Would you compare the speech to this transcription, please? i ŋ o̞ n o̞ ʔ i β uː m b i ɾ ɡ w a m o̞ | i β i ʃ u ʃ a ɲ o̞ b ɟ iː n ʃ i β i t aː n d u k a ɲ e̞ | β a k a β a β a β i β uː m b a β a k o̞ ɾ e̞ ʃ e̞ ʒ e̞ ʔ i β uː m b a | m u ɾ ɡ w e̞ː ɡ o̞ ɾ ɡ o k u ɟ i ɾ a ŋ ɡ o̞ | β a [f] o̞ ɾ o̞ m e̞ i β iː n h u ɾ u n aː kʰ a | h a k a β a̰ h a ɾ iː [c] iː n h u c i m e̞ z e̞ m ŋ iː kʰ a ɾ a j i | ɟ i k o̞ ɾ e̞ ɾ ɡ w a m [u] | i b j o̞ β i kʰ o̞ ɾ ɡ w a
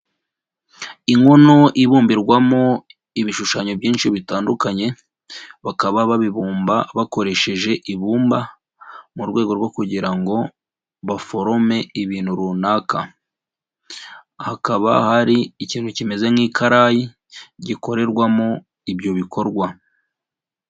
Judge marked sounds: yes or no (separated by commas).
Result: yes, yes, no